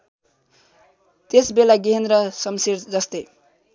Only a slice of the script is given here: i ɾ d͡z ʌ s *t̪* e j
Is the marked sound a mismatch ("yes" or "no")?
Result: no